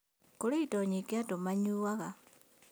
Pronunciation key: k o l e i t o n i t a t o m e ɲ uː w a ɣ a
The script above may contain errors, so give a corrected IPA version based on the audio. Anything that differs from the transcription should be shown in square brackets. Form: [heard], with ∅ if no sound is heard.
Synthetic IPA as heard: k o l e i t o [ɲ] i [k] a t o m [a] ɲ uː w a ɣ a

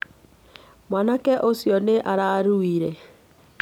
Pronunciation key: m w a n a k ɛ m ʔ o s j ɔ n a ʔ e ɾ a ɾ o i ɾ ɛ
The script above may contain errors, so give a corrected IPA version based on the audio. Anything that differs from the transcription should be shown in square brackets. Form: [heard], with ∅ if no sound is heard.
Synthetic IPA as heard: m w a n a k ɛ [∅] ʔ o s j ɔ n [e] ʔ [a] ɾ a ɾ [u] i ɾ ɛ

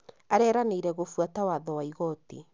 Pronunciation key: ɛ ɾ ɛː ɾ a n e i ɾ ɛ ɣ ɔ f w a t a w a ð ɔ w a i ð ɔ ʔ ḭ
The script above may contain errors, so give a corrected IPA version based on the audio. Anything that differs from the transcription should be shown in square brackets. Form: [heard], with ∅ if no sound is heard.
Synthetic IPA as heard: [a] ɾ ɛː ɾ a n e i ɾ ɛ ɣ [o] f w a t a w a ð ɔ w a i [ɣ] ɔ [t] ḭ

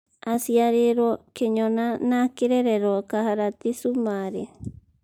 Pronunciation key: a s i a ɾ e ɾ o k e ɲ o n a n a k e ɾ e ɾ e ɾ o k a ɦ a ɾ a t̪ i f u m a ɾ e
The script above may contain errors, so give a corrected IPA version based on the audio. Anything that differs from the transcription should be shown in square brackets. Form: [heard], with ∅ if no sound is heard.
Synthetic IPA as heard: a s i a ɾ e ɾ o k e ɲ o n a n a k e ɾ e ɾ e ɾ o k a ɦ a ɾ a t̪ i [s] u m a ɾ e

